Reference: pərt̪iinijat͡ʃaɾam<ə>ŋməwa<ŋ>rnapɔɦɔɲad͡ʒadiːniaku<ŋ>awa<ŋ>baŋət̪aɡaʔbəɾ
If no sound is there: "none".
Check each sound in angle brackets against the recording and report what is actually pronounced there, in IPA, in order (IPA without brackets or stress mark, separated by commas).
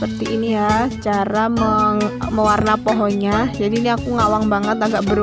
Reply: ə, none, ŋ, ŋ